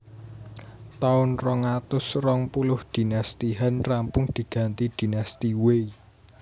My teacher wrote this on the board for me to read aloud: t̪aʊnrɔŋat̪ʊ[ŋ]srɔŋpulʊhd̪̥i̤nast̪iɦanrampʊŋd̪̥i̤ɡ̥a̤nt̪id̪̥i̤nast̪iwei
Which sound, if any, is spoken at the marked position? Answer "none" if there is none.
none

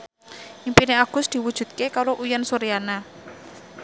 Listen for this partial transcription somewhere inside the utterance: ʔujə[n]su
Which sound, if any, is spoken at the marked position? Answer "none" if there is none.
n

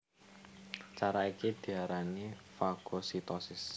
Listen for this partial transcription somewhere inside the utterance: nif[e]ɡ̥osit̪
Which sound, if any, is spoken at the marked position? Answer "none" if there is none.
a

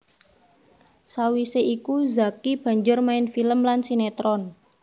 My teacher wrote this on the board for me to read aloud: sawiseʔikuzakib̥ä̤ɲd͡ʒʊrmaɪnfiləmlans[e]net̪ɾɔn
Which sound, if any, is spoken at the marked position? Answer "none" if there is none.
i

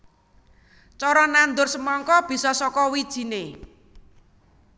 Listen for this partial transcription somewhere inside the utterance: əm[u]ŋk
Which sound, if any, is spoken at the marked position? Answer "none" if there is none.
ɔ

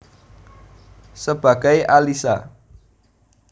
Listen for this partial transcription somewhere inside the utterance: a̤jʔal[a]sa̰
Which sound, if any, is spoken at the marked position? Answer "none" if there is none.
i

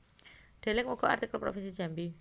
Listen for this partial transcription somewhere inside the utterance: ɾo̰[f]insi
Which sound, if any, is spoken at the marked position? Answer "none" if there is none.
f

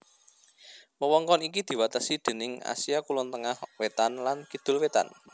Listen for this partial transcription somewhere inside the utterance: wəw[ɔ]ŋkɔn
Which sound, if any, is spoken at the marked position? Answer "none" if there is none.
ɔ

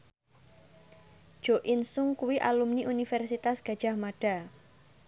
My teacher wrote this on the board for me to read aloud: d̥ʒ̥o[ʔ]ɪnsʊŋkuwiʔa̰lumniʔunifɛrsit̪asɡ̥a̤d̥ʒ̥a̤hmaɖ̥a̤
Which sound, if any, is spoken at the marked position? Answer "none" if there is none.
ʔ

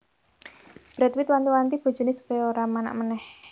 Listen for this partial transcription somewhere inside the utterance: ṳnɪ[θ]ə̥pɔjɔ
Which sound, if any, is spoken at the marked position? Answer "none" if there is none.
s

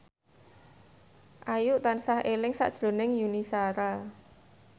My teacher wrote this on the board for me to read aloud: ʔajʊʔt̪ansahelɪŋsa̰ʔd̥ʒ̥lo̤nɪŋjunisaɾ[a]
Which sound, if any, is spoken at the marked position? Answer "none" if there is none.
a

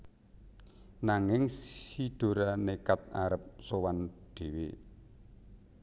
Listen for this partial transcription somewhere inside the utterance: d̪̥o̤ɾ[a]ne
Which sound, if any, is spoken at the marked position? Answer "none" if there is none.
a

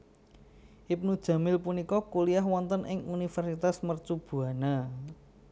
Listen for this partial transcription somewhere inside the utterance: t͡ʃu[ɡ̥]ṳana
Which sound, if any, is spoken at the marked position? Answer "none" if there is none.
b̥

